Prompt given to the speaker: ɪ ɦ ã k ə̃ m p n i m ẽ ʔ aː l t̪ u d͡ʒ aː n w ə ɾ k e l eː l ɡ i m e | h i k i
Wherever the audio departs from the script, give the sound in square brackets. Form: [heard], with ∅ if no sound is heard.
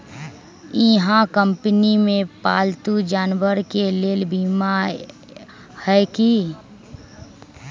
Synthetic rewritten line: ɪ ɦ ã k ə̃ m p n i m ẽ [p] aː l t̪ u d͡ʒ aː n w ə ɾ k e l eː l [b] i m [a] | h [ɛ] k i